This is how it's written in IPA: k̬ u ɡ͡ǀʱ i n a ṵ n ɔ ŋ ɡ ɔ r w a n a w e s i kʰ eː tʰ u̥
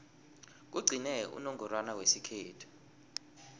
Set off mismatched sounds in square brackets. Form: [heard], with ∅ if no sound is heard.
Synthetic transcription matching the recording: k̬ u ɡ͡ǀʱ i n [ɛ] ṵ n ɔ ŋ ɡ ɔ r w a n a w e s i kʰ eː tʰ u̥